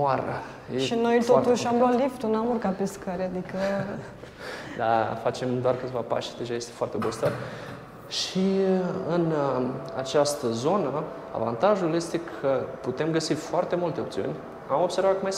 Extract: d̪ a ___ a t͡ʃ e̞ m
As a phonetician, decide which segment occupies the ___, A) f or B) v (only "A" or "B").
A